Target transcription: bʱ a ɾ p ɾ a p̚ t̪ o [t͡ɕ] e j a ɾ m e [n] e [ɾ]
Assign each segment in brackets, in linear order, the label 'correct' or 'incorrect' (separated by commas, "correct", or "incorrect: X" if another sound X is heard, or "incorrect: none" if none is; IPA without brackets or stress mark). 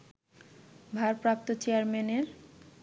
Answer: correct, correct, correct